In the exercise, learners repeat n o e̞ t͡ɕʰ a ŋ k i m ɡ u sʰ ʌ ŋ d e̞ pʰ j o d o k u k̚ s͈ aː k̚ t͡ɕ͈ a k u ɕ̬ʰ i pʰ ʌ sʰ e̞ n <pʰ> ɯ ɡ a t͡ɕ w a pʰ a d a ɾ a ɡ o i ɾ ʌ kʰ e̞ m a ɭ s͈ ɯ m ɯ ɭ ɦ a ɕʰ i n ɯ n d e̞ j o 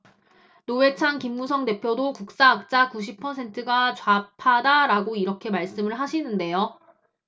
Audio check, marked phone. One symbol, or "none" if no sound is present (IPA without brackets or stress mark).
tʰ